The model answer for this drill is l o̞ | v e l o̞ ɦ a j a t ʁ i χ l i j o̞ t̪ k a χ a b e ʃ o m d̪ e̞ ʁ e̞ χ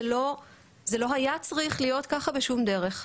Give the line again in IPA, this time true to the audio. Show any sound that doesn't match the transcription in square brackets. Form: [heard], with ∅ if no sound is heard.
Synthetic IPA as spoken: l o̞ | [z] e l o̞ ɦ a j a [t͡s] ʁ i χ l i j o̞ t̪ k a χ a b e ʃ [u] m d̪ e̞ ʁ e̞ χ